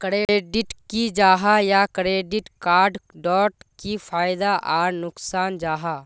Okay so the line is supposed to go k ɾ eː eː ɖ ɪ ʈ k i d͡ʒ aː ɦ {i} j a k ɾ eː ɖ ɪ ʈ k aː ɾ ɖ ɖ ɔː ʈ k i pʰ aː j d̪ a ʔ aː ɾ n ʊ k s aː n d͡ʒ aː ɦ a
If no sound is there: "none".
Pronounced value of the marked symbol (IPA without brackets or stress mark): a